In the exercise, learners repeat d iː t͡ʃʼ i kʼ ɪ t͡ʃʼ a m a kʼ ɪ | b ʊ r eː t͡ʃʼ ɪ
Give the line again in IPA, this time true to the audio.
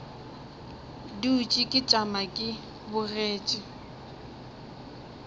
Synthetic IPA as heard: d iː t͡ʃʼ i kʼ ɪ t͡ʃʼ a m a kʼ ɪ | b ʊ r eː t͡ʃʼ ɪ

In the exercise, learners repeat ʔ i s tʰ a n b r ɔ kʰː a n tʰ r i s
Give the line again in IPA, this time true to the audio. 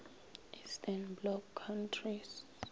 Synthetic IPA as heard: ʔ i s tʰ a n b l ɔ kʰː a n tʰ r i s

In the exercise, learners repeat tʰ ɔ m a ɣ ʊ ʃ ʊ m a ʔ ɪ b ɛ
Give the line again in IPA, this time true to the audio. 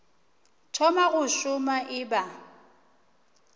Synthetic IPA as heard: tʰ ɔ m a ɣ ʊ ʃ ʊ m a ʔ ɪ b a

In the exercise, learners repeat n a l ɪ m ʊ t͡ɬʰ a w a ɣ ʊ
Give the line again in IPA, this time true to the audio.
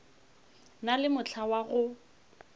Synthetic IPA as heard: n a l ɪ m ʊ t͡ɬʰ a w a ɣ ʊ

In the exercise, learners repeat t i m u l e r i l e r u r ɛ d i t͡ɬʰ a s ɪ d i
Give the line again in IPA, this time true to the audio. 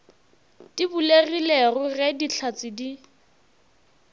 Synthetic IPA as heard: t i b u l e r i l e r ʊ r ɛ d i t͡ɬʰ a t͡s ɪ d i

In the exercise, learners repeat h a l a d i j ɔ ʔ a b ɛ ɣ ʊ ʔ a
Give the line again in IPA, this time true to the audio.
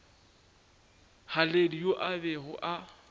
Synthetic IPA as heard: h a l e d i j o ʔ a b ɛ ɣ ʊ ʔ a

